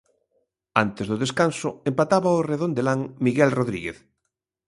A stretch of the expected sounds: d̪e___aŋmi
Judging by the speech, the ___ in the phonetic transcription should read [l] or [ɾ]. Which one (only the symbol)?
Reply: l